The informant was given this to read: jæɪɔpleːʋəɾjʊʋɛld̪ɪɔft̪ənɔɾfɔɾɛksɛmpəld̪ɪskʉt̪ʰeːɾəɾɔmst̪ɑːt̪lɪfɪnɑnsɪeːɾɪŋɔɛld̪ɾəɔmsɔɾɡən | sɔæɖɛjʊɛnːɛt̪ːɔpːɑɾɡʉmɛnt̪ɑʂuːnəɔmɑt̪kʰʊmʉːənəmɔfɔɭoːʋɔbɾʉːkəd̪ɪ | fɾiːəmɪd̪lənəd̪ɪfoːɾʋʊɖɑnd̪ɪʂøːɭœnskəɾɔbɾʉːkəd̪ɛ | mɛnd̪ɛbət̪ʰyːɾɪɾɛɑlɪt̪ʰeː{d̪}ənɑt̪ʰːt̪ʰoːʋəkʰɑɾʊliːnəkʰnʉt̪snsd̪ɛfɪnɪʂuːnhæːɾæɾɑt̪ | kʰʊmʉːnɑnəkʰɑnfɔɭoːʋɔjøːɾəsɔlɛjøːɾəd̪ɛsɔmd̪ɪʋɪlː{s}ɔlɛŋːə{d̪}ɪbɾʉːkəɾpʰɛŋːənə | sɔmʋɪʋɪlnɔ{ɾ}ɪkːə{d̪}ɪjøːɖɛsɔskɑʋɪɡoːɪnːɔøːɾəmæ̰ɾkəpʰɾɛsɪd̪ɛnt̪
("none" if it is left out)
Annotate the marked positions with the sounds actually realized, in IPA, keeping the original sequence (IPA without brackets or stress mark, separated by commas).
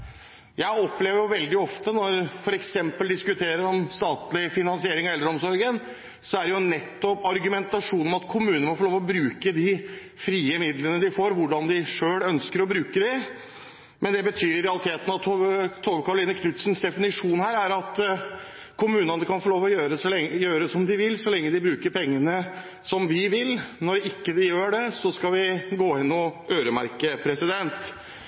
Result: t̪, s, d̪, ɾ, d̪